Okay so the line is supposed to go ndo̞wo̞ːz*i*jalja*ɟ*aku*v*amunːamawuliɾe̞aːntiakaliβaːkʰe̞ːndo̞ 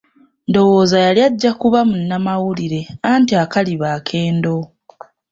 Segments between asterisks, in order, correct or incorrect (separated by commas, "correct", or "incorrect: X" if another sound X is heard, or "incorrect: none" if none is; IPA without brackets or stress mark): incorrect: a, incorrect: ɟː, incorrect: β